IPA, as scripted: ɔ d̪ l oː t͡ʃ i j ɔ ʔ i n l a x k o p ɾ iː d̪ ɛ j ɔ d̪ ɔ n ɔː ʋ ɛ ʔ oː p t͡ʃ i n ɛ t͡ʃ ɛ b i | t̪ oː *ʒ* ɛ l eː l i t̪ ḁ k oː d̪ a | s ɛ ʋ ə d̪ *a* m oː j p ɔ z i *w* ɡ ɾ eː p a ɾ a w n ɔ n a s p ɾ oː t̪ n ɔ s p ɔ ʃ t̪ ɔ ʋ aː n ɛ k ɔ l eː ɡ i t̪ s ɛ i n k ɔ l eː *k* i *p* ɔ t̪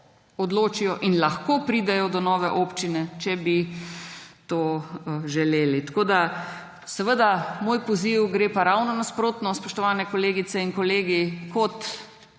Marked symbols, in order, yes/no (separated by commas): yes, yes, yes, no, no